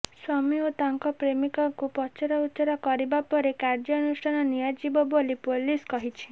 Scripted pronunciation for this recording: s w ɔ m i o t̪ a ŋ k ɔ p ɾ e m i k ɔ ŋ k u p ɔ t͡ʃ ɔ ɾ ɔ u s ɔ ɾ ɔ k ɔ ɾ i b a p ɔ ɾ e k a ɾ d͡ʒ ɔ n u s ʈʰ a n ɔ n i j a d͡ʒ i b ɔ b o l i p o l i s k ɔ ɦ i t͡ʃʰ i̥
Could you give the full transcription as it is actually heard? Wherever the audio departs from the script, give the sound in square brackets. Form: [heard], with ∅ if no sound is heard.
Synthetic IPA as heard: s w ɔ m i o t̪ a ŋ k ɔ p ɾ e m i k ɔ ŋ k u p ɔ t͡ʃ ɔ ɾ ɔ u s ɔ ɾ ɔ k ɔ ɾ i b a p ɔ ɾ e k a ɾ d͡ʒ ɔ n u s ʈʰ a n ɔ n i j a d͡ʒ i b ɔ b o l i p o l i s k ɔ ɦ i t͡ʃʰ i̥

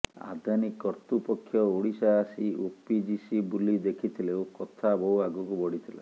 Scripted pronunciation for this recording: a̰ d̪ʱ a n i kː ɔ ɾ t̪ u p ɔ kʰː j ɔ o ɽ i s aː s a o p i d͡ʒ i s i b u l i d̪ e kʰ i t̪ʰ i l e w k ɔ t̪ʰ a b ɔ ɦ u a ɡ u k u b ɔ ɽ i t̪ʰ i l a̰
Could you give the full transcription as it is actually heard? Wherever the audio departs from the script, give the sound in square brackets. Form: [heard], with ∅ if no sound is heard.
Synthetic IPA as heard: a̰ d̪ʱ a n i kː ɔ ɾ t̪ u p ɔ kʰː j ɔ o ɽ i s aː s [i] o p i d͡ʒ i s i b u l i d̪ e kʰ i t̪ʰ i l e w k ɔ t̪ʰ a b ɔ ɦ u a ɡ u k u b ɔ ɽ i t̪ʰ i l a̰

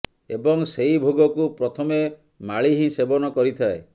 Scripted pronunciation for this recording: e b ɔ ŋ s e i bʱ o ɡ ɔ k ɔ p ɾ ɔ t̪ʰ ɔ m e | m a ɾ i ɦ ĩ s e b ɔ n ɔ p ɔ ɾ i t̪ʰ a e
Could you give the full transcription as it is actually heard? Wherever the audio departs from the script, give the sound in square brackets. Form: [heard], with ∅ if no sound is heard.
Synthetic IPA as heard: e b ɔ ŋ s e i bʱ o ɡ ɔ k [u] p ɾ ɔ t̪ʰ ɔ m e | m a [ɭ] i ɦ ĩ s e b ɔ n ɔ [k] ɔ ɾ i t̪ʰ a e

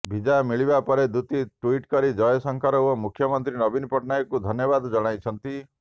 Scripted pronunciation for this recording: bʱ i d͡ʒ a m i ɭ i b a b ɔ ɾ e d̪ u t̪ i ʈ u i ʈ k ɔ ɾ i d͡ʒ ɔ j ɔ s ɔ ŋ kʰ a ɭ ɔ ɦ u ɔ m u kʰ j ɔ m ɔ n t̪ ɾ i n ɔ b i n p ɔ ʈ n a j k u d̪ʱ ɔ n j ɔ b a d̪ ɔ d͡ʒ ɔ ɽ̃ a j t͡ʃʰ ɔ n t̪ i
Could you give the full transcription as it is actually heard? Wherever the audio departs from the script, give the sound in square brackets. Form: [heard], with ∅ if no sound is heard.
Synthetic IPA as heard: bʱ i d͡ʒ a m i ɭ i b a [p] ɔ ɾ e d̪ u t̪ i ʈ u i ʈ k ɔ ɾ i d͡ʒ ɔ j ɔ s ɔ ŋ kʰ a [ɾ] ɔ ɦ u ɔ m u kʰ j ɔ m ɔ n t̪ ɾ i n ɔ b i n p ɔ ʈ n a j k u d̪ʱ ɔ n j ɔ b a d̪ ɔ d͡ʒ ɔ ɽ̃ a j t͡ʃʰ ɔ n t̪ i

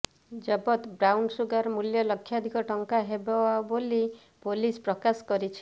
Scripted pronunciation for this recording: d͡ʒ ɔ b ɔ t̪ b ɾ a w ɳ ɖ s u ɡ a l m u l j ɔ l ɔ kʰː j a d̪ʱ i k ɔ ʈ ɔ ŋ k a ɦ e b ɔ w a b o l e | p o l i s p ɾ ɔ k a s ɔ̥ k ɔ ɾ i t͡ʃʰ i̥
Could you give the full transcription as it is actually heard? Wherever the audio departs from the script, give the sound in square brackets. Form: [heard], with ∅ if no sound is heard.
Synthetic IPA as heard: d͡ʒ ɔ b ɔ t̪ b ɾ a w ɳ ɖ s u ɡ a [ɾ] m u l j ɔ l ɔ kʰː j a d̪ʱ i k ɔ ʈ ɔ ŋ k a ɦ e b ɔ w a b o l [i] | p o l i s p ɾ ɔ k a s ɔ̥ k ɔ ɾ i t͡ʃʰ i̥

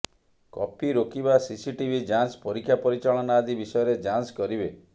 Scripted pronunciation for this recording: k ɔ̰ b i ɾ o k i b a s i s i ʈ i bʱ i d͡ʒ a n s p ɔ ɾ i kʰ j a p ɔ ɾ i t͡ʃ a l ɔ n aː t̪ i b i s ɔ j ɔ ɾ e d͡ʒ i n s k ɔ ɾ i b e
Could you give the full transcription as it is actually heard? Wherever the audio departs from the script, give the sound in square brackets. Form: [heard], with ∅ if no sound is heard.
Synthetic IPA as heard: k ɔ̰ [p] i ɾ o k i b a s i s i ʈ i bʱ i d͡ʒ a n s p ɔ ɾ i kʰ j a p ɔ ɾ i t͡ʃ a [ɭ] ɔ n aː [d̪] i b i s ɔ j ɔ ɾ e d͡ʒ [a] n s k ɔ ɾ i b e

